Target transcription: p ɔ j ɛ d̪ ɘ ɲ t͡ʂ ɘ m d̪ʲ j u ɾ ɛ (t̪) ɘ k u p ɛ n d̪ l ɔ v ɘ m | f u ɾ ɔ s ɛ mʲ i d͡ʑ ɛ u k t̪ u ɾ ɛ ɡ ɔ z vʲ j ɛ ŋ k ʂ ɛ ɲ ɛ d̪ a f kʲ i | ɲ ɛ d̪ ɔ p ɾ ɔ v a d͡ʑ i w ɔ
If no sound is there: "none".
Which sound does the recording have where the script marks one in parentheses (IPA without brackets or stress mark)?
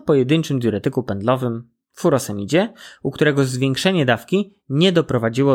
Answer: t̪